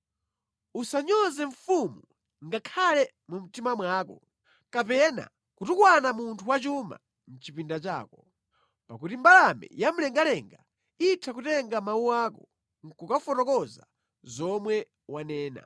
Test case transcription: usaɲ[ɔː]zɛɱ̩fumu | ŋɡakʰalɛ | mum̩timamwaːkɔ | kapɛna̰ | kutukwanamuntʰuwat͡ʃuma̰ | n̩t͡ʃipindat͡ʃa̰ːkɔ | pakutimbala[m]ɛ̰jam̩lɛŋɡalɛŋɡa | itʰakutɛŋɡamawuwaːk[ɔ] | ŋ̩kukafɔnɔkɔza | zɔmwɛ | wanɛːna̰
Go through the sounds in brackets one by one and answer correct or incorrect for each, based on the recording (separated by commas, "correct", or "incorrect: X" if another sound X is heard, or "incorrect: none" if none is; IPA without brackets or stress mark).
incorrect: ɔ, correct, correct